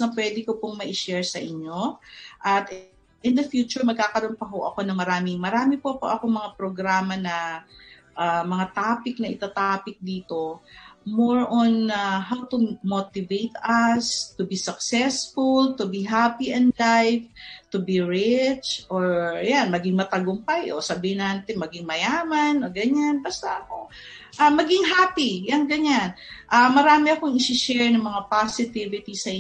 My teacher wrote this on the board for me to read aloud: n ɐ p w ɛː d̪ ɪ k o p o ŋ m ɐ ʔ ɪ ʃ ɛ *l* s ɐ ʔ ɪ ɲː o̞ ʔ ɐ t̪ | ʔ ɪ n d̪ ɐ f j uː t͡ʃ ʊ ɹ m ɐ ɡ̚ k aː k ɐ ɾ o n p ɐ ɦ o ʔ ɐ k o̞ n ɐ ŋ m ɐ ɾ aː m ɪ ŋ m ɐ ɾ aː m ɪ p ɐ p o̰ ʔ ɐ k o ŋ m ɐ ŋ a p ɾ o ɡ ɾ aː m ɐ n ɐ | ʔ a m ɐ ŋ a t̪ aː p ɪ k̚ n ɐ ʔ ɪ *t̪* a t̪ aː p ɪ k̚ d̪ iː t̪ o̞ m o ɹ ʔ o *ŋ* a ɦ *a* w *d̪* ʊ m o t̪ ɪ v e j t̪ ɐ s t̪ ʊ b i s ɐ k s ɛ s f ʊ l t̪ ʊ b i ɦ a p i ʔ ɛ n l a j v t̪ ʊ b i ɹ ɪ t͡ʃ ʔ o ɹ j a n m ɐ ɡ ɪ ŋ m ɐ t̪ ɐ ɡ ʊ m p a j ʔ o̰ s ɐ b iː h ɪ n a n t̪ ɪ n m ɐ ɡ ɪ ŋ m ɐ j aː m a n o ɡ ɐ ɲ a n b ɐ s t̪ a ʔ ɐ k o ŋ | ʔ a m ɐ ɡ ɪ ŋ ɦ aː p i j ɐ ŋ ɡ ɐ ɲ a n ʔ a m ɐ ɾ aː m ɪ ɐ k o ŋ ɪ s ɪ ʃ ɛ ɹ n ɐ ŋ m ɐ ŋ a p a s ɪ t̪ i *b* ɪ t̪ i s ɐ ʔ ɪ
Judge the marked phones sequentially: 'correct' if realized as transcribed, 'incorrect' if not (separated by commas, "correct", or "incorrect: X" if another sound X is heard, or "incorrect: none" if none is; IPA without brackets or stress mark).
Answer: incorrect: ɹ, correct, incorrect: n, correct, incorrect: t̪, incorrect: v